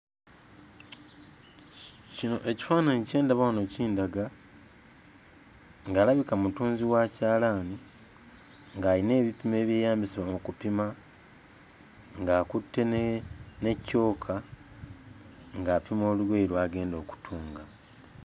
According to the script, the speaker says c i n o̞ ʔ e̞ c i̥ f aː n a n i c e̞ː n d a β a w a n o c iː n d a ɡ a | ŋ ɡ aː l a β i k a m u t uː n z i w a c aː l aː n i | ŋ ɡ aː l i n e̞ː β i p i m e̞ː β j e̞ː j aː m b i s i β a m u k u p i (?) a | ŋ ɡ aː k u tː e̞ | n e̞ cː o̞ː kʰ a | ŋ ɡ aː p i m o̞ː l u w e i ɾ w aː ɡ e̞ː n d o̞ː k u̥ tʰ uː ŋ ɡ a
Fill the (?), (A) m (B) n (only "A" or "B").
A